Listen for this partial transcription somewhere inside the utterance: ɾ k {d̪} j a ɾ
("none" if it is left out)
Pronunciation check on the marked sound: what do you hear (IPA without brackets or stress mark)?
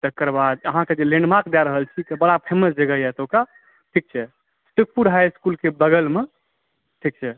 d̪